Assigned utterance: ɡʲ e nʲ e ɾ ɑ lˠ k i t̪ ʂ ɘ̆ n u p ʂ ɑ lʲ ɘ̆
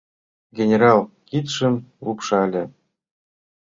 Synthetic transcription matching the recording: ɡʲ e nʲ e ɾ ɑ lˠ k i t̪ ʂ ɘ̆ m u p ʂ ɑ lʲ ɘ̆